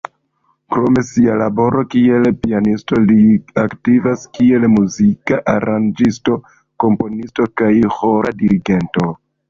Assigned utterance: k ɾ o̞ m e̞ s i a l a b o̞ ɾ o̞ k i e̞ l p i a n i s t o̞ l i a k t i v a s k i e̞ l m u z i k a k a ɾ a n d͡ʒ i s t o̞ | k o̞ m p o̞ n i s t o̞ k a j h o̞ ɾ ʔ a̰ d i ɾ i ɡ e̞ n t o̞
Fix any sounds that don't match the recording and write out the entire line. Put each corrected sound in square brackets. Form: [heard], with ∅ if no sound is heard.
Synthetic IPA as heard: k ɾ o̞ m e̞ s i a l a b o̞ ɾ o̞ k i e̞ l p i a n i s t o̞ l i a k t i v a s k i e̞ l m u z i k a [ʔ] a ɾ a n d͡ʒ i s t o̞ | k o̞ m p o̞ n i s t o̞ k a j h o̞ ɾ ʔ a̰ d i ɾ i ɡ e̞ n t o̞